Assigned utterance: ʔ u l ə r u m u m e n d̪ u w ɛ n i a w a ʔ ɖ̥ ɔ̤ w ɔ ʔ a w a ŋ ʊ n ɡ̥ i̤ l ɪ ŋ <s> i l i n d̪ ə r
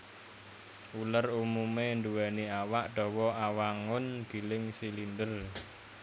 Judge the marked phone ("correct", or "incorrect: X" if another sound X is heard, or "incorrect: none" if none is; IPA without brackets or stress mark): correct